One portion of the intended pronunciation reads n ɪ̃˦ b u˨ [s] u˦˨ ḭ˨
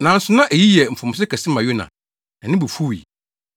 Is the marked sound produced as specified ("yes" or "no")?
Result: no